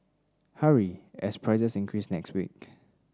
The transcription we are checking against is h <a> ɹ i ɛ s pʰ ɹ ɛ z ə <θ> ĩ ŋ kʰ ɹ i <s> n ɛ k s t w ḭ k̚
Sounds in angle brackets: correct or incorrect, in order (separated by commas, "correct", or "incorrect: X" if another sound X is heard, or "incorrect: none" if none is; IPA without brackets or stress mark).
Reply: correct, incorrect: s, correct